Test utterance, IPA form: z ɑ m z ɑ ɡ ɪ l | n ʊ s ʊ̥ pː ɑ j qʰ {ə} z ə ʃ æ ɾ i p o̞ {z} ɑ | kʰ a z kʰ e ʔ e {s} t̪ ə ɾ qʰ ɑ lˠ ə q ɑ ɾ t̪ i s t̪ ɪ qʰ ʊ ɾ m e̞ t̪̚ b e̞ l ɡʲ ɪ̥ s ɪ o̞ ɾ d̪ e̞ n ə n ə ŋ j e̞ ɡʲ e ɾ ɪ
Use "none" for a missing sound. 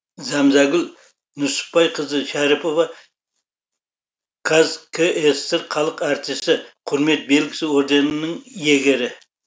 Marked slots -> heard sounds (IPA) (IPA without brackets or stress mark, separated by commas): ə, v, s